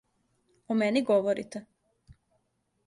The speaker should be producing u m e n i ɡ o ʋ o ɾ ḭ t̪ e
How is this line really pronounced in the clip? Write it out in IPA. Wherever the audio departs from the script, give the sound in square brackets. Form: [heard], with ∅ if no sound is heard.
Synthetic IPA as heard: [o] m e n i ɡ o ʋ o ɾ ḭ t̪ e